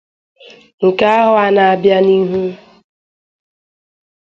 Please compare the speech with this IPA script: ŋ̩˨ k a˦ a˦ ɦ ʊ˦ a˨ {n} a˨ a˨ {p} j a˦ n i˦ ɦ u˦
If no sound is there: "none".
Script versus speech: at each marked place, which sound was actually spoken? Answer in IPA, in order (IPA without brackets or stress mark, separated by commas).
n, b